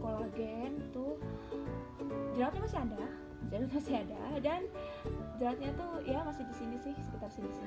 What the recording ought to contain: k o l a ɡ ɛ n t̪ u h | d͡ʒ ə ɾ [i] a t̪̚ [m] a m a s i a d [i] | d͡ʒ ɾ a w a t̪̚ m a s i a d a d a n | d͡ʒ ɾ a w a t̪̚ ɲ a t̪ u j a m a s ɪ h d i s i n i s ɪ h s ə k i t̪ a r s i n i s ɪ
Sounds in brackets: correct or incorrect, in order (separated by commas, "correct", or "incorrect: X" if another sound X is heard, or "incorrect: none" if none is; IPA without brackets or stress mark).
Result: incorrect: a, incorrect: ɲ, incorrect: a